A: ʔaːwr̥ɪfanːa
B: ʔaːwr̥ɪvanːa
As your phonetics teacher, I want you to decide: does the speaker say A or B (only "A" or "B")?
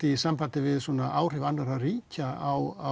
B